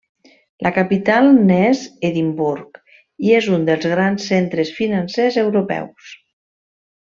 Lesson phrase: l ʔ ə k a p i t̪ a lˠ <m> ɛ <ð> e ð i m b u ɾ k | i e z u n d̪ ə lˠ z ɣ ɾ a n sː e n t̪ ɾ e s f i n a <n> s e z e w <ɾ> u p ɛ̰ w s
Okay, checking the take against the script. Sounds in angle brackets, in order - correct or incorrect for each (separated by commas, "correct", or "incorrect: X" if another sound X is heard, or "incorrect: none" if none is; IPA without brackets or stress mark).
incorrect: n, incorrect: z, correct, correct